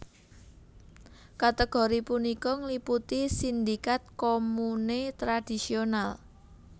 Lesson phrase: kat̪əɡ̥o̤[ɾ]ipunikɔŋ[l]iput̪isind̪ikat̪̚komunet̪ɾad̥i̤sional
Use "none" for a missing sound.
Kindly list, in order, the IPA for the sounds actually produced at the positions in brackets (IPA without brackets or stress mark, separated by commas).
ɾ, l